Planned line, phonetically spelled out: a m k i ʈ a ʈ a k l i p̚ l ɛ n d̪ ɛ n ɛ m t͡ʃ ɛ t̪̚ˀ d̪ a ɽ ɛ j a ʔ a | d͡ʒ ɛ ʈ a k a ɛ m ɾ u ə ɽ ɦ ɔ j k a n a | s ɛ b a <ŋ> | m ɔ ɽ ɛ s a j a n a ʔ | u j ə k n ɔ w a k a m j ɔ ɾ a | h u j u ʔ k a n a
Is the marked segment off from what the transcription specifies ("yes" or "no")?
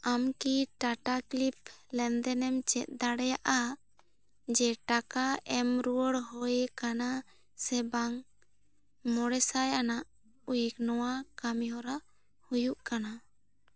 no